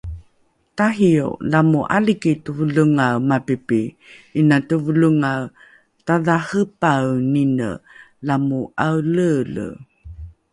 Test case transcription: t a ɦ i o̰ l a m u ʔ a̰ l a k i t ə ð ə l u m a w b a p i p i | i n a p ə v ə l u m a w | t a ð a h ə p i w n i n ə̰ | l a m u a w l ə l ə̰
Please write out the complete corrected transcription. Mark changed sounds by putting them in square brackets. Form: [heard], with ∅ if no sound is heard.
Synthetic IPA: t a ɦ i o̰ l a m u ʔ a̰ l [i] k i t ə [v] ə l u [ŋ] a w [m] a p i p i | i n a [t] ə v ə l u [ŋ] a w | t a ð a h ə p [a] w n i n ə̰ | l a m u a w l ə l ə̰